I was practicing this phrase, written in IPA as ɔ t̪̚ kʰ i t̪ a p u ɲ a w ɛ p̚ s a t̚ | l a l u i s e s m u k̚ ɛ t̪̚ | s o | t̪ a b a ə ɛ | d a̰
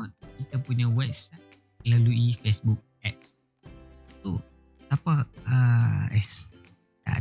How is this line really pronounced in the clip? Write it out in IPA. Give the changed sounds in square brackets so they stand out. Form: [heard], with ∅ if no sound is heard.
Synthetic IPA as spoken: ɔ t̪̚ [k] i t̪ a p u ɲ a w ɛ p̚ s a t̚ | l a l u i [f] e s [b] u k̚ ɛ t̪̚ | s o | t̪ a [p] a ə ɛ | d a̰